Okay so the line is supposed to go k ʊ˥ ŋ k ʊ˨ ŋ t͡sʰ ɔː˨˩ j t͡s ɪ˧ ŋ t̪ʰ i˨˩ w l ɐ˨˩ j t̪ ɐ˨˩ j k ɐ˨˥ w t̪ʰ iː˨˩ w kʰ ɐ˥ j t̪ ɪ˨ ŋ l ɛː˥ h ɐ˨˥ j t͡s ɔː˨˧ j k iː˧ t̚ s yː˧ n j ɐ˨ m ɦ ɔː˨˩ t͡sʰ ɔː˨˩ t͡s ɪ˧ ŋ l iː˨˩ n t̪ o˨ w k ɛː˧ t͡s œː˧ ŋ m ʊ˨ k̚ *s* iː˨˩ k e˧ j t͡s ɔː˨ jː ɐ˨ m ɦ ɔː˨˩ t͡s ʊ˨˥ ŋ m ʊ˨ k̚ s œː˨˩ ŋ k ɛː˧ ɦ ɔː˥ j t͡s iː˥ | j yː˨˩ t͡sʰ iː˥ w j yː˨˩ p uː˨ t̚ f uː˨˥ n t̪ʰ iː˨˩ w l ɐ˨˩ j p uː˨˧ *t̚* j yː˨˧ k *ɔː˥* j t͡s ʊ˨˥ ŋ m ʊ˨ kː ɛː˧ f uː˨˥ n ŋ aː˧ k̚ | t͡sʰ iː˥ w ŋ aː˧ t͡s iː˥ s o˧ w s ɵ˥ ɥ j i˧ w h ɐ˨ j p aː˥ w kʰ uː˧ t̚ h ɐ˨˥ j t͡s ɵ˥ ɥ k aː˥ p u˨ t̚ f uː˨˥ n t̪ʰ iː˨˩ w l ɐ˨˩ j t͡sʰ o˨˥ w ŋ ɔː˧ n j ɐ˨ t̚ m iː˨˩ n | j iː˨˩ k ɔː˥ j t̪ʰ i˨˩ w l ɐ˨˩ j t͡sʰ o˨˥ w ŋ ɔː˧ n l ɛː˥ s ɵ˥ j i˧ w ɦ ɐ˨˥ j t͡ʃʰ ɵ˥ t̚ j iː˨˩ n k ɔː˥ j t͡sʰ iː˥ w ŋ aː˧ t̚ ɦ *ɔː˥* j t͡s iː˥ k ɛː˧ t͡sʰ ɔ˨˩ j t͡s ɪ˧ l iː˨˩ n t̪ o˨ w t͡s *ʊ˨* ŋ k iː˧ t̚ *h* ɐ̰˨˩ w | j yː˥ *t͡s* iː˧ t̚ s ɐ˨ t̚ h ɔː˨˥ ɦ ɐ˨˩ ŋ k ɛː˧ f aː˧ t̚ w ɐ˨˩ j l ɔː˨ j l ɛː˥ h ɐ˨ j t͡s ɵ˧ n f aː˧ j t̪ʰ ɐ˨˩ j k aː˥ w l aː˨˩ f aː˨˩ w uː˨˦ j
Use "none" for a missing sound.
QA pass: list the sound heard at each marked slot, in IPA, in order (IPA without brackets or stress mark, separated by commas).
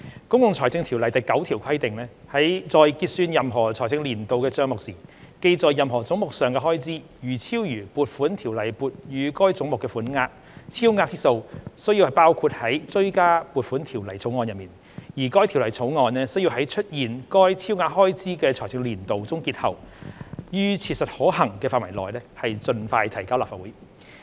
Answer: s, t̚, ɔː˥, ɔː˥, ʊ˥, h, t͡sʰ